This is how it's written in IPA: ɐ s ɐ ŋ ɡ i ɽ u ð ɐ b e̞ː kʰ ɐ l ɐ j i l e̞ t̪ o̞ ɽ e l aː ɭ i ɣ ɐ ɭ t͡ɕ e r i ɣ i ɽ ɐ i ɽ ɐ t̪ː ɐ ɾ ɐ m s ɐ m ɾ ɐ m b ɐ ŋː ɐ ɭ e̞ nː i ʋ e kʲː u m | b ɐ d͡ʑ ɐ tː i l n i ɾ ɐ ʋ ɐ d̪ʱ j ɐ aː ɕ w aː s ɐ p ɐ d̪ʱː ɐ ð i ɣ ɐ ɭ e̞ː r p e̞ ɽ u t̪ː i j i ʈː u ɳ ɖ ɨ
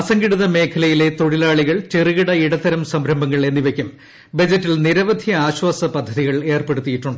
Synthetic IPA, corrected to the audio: ɐ s ɐ ŋ ɡ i ɽ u ð ɐ m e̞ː kʰ ɐ l ɐ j i l e̞ t̪ o̞ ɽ i l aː ɭ i ɣ ɐ ɭ t͡ɕ e r i ɣ i ɽ ɐ i ɽ ɐ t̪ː ɐ ɾ ɐ m s ɐ m ɾ ɐ m b ɐ ŋː ɐ ɭ e̞ nː i ʋ e kʲː u m | b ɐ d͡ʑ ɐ tː i l n i ɾ ɐ ʋ ɐ d̪ʱ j ɐ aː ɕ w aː s ɐ p ɐ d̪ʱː ɐ ð i ɣ ɐ ɭ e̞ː r p e̞ ɽ u t̪ː i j i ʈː u ɳ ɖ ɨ

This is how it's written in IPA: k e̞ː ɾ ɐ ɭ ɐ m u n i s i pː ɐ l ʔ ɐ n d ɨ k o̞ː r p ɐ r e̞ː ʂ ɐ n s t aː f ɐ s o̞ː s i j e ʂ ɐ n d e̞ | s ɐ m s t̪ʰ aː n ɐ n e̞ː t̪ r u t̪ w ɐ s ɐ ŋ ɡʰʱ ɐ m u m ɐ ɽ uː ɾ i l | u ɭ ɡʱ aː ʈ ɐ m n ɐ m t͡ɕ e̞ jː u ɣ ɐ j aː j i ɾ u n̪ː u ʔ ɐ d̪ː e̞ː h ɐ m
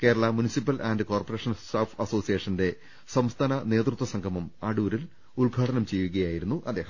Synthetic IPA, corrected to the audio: k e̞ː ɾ ɐ ɭ ɐ m u n i s i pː ɐ l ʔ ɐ n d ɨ k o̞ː r p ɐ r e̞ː ʂ ɐ n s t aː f ɐ s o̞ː s i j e ʂ ɐ n d e̞ | s ɐ m s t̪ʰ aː n ɐ n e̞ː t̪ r u t̪ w ɐ s ɐ ŋ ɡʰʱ ɐ m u m ɐ ɽ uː ɾ i l | u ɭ ɡʱ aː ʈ ɐ n ɐ m t͡ɕ e̞ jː u ɣ ɐ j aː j i ɾ u n̪ː u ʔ ɐ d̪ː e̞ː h ɐ m

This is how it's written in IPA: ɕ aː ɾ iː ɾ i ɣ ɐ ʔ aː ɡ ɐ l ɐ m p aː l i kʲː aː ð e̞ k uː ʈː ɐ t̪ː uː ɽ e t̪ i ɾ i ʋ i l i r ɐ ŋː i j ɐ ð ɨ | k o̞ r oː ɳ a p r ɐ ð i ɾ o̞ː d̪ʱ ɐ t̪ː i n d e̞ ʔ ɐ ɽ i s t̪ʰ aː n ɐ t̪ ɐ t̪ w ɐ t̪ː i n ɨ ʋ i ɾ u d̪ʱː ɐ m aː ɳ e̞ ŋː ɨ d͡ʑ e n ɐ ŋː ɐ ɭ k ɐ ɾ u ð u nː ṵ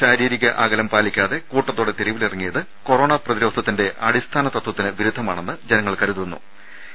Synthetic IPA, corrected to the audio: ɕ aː ɾ iː ɾ i ɣ ɐ ʔ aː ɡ ɐ l ɐ m p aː l i kʲː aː ð e̞ k uː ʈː ɐ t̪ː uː ɽ e t̪ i ɾ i ʋ i l i r ɐ ŋː i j ɐ ð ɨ | k o̞ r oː ɳ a p r ɐ ð i ɾ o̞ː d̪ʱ ɐ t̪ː i n d e̞ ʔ ɐ ɽ i s t̪ʰ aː n ɐ t̪ ɐ t̪ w ɐ t̪ː i n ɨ ʋ i ɾ u d̪ʱː ɐ m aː ɳ e̞ nː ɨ d͡ʑ e n ɐ ŋː ɐ ɭ k ɐ ɾ u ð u nː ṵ

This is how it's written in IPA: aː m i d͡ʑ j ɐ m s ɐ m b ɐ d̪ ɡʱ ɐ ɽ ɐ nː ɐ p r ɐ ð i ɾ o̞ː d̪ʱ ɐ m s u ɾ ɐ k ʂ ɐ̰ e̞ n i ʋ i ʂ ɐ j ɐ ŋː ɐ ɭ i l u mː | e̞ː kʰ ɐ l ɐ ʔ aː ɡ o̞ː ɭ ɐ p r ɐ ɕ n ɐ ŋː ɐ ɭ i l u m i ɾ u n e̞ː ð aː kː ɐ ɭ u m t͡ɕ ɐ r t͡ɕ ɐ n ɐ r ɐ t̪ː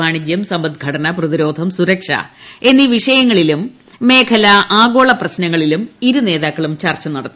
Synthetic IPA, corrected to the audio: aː ɳ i d͡ʑ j ɐ m s ɐ m b ɐ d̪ ɡʱ ɐ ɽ ɐ n ɐ p r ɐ ð i ɾ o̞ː d̪ʱ ɐ m s u ɾ ɐ k ʂ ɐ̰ e̞ nː i ʋ i ʂ ɐ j ɐ ŋː ɐ ɭ i l u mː | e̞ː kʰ ɐ l ɐ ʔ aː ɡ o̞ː ɭ ɐ p r ɐ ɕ n ɐ ŋː ɐ ɭ i l u m i ɾ u n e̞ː ð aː kː ɐ ɭ u m t͡ɕ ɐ r t͡ɕ ɐ n ɐ ɽ ɐ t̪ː

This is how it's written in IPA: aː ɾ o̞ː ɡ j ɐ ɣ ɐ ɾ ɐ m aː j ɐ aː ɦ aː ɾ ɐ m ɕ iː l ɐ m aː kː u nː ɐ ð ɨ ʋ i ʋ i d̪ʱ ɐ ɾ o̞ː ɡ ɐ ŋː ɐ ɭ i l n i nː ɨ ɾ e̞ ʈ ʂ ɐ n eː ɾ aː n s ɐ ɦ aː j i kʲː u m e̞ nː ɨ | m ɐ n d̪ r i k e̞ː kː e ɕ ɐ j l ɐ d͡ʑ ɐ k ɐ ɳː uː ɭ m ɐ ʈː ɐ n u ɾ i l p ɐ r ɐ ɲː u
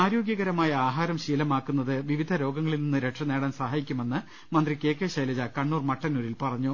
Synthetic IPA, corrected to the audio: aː ɾ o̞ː ɡ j ɐ ɣ ɐ ɾ ɐ m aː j ɐ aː ɦ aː ɾ ɐ m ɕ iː l ɐ m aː kː u nː ɐ ð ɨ ʋ i ʋ i d̪ʱ ɐ ɾ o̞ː ɡ ɐ ŋː ɐ ɭ i l n i nː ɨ ɾ e̞ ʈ ʂ ɐ n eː ɽ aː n s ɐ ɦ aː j i kʲː u m e̞ nː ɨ | m ɐ n d̪ r i k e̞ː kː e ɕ ɐ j l ɐ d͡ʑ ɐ k ɐ ɳː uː r m ɐ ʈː ɐ n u ɾ i l p ɐ r ɐ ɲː u

